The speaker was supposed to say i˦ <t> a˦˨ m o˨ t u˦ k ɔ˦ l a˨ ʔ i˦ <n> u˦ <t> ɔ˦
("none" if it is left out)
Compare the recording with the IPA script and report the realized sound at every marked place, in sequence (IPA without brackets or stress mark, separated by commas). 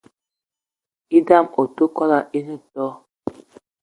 d, n, t